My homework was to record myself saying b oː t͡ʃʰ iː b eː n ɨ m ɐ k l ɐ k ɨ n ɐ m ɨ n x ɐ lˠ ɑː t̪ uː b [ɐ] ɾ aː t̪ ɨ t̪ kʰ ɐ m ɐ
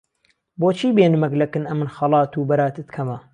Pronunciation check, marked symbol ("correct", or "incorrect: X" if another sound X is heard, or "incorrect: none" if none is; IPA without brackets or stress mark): correct